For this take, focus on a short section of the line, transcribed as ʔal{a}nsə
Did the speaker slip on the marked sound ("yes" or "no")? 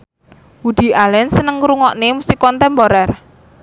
yes